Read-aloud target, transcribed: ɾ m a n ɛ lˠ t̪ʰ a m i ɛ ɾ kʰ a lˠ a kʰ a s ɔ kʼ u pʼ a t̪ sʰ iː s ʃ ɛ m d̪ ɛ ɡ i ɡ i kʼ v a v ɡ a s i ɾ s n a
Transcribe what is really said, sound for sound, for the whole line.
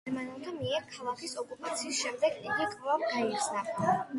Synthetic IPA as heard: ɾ m a n ɛ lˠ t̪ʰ a m i ɛ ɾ kʰ a lˠ a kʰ i s ɔ kʼ u pʼ a t̪ sʰ iː s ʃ ɛ m d̪ ɛ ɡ i ɡ i kʼ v a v ɡ a i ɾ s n a